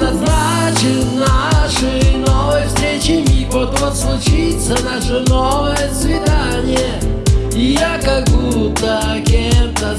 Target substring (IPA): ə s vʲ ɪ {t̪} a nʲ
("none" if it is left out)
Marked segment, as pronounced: d̪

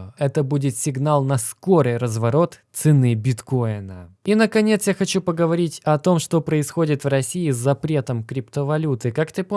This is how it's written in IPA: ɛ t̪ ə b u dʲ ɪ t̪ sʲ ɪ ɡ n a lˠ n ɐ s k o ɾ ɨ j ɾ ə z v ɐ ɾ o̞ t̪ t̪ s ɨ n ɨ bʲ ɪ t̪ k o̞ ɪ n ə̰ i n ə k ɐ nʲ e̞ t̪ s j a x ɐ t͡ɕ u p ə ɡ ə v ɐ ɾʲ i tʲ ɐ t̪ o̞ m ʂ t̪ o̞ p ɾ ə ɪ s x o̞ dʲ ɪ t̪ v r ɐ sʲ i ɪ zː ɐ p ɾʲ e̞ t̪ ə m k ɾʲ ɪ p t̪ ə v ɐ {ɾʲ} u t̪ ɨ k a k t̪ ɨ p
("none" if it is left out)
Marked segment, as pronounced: lʲ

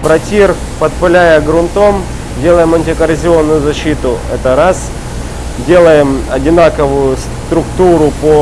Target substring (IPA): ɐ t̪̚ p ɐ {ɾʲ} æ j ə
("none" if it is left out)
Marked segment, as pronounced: lʲ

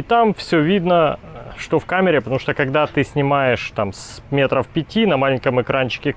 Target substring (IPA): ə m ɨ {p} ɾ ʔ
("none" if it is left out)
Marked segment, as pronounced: k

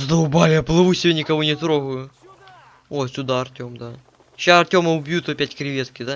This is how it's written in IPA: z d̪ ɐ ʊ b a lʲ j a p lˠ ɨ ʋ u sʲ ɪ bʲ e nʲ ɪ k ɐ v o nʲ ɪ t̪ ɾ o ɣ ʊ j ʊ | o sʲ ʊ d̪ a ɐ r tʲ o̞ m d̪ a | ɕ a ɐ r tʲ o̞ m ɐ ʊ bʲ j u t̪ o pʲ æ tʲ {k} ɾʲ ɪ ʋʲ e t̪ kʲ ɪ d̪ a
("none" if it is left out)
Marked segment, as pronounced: k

